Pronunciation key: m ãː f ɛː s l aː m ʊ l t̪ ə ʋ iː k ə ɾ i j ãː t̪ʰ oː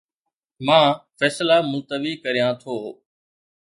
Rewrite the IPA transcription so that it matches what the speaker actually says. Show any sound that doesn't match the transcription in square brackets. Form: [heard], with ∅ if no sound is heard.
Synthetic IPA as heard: m ãː f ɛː s l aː m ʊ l t̪ ə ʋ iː k ə ɾ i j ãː t̪ʰ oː